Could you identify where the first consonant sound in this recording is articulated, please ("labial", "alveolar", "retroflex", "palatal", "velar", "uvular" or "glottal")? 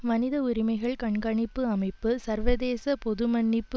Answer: labial